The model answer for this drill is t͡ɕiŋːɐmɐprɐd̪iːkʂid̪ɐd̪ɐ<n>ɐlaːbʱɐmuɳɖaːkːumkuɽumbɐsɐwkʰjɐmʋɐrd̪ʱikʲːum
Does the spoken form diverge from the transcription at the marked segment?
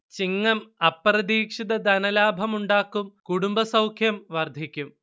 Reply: no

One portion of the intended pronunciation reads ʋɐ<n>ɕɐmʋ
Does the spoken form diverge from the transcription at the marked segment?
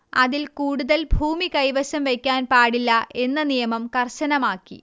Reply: yes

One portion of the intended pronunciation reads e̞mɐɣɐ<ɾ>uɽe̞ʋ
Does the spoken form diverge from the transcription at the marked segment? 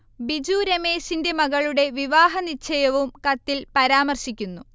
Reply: yes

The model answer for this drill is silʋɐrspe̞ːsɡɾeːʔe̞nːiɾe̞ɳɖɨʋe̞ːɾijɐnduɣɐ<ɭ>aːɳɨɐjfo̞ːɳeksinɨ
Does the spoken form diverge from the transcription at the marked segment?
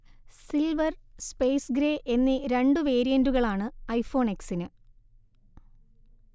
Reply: no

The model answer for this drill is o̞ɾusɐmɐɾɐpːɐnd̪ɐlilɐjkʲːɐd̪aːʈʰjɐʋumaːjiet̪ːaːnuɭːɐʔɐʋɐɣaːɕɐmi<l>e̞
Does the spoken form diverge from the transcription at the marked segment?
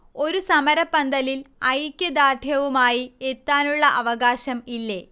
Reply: yes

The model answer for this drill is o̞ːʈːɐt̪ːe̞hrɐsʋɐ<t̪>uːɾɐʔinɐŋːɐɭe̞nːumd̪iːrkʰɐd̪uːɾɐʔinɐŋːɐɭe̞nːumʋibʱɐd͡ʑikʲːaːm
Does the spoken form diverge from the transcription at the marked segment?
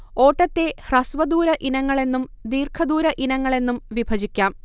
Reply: yes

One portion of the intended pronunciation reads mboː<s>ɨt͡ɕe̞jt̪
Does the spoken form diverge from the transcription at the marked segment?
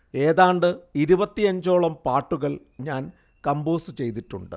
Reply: no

